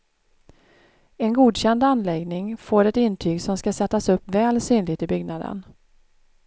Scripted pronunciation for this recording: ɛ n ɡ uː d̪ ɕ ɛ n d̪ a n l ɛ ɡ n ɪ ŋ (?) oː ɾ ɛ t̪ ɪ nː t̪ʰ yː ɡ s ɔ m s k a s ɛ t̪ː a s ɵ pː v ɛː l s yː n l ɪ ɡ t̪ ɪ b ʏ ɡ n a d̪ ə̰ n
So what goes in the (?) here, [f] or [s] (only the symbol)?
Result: f